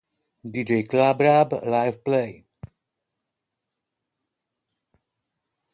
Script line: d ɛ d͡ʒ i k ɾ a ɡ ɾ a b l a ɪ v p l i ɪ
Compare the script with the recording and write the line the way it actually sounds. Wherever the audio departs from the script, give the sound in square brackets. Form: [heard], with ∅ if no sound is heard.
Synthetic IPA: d [i] d͡ʒ [e] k [l] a [b] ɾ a b l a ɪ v p l [e] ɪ